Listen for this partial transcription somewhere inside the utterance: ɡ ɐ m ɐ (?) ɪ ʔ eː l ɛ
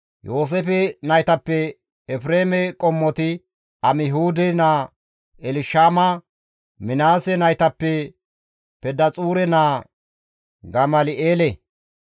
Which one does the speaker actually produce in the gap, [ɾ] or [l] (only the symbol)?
l